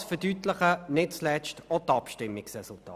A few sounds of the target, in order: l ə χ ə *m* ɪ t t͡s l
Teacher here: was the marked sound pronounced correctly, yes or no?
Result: no